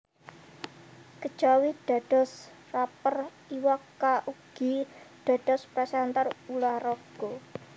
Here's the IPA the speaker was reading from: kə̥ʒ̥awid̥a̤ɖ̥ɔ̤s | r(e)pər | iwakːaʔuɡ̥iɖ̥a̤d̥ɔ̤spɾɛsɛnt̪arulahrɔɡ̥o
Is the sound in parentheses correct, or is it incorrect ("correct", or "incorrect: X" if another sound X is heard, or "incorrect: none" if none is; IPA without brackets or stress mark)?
incorrect: a